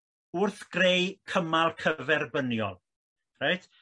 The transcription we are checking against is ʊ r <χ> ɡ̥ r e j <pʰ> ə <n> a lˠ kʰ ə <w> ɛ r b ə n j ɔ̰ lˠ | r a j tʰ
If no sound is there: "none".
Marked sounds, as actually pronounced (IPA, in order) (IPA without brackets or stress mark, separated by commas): θ, kʰ, m, v